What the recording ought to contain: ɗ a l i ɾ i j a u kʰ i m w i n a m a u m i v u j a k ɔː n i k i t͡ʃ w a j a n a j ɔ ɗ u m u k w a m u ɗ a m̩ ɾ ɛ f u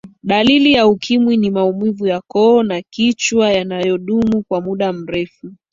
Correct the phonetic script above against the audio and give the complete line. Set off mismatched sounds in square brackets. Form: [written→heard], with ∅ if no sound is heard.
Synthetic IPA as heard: ɗ a l i [ɾ→l] i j a u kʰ i m w i n [a→i] m a u m i v u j a k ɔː n [i→a] k i t͡ʃ w a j a n a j ɔ ɗ u m u k w a m u ɗ a m̩ ɾ ɛ f u